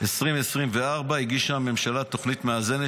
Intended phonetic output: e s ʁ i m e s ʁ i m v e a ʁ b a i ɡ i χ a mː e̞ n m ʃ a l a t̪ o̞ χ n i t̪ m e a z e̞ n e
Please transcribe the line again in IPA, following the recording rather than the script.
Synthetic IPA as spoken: e s ʁ i m e s ʁ i m v e a ʁ b a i ɡ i ʃ a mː e̞ m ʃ a l a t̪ o̞ χ n i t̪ m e a z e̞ n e